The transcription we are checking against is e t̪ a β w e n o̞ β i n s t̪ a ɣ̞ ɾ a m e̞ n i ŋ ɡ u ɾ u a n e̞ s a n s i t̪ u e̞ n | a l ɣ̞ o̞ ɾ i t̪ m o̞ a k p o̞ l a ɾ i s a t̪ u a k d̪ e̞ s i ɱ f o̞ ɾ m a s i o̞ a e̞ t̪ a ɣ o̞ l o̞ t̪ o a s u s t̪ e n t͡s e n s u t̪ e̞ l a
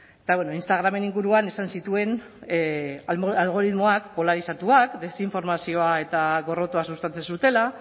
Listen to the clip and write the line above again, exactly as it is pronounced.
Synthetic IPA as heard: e t̪ a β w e n o̞ i n s t̪ a ɣ̞ ɾ a m e̞ n i ŋ ɡ u ɾ u a n e̞ s a n s i t̪ u e̞ n | a l ɣ̞ o̞ ɾ i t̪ m o̞ a k p o̞ l a ɾ i s a t̪ u a k d̪ e̞ s i ɱ f o̞ ɾ m a s i o̞ a e̞ t̪ a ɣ o̞ r o̞ t̪ o a s u s t̪ a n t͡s e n s u t̪ e̞ l a